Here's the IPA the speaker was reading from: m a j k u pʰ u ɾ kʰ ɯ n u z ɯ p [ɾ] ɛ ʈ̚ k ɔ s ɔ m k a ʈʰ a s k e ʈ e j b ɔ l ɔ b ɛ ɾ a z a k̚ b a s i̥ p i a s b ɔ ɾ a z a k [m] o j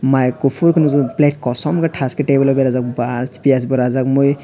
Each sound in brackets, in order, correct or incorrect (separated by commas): incorrect, correct